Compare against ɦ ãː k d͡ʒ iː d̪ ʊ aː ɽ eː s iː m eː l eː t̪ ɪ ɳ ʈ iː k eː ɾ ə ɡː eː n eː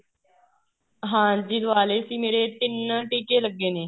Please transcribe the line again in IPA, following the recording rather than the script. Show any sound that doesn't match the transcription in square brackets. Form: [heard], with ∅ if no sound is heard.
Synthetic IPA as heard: ɦ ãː [∅] d͡ʒ iː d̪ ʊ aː [l] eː s iː m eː [ɾ] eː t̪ ɪ [n] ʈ iː k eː [l] ə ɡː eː n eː